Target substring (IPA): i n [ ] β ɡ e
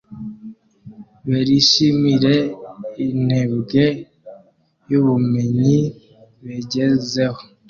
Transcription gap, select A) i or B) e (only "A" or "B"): B